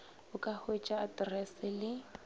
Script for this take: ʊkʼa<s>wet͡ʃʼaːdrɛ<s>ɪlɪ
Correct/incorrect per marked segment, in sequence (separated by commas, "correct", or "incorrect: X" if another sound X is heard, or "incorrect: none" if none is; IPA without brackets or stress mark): incorrect: h, correct